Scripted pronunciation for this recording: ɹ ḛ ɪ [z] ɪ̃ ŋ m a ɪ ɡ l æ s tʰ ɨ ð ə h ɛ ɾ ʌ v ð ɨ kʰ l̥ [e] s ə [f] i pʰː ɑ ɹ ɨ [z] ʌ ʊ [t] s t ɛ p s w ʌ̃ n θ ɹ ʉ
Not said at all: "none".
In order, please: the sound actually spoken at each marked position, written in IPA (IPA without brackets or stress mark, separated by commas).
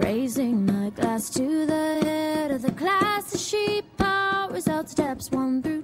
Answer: z, æ, ʃ, z, t